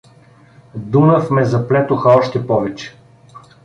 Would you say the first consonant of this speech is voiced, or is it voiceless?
voiced